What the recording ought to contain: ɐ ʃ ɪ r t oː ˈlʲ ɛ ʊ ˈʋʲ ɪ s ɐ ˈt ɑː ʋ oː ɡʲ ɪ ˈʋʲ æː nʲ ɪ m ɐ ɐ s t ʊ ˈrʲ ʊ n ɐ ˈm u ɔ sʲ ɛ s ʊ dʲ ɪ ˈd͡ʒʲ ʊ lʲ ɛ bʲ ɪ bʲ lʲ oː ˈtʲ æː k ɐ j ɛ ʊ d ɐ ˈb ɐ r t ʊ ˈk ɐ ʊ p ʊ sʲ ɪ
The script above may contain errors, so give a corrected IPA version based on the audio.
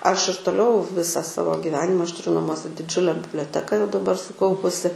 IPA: ɐ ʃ ɪ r t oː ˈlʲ ɛ ʊ ˈʋʲ ɪ s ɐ ˈs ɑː ʋ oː ɡʲ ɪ ˈʋʲ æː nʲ ɪ m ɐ ɐ ʃ t ʊ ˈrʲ ʊ n ɐ ˈm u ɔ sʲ ɛ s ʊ dʲ ɪ ˈd͡ʒʲ ʊ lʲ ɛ bʲ ɪ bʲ lʲ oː ˈtʲ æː k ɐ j ɛ ʊ d ɐ ˈb ɐ r s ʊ ˈk ɐ ʊ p ʊ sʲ ɪ